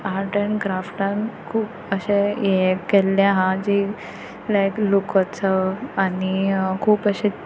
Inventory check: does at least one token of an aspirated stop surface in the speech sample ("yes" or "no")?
yes